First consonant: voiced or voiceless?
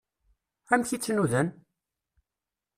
voiced